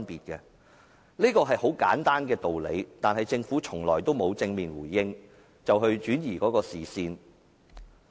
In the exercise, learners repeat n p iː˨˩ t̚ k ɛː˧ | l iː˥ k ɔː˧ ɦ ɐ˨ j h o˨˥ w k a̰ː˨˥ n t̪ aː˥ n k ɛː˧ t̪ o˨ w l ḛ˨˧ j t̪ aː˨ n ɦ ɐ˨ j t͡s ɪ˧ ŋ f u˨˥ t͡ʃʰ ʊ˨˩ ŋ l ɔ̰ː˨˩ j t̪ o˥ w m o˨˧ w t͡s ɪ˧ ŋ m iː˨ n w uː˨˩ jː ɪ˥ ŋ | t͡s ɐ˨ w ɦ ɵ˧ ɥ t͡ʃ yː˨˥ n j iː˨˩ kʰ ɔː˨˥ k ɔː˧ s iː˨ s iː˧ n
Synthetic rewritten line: n p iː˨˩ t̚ k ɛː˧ | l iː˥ k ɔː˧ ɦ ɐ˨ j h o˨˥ w k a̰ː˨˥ n t̪ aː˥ n k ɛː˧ t̪ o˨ w l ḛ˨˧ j t̪ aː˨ n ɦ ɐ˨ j t͡s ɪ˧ ŋ f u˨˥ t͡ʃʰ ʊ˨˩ ŋ l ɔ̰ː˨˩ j t̪ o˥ w m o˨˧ w t͡s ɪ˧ ŋ m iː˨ n w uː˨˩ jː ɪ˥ ŋ | t͡s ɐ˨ w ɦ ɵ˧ ɥ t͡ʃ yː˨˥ n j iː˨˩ k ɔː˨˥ k ɔː˧ s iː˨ s iː˧ n